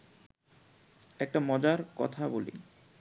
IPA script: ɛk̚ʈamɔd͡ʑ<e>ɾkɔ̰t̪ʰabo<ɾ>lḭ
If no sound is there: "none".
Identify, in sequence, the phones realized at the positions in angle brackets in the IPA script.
a, none

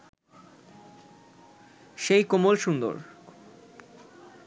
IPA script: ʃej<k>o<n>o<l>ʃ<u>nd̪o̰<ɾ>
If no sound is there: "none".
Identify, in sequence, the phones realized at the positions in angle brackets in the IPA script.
k, m, l, u, ɾ

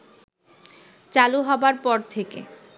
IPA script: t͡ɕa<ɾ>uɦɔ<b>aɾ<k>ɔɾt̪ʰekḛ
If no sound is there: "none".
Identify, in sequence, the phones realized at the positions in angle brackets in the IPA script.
l, b, p

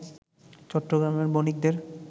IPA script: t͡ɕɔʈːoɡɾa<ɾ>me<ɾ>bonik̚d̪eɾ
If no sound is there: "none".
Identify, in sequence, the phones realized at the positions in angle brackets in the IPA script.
none, ɾ

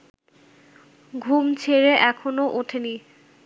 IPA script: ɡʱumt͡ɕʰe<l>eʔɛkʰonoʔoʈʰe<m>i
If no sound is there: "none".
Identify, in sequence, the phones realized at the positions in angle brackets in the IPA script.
ɾ, n

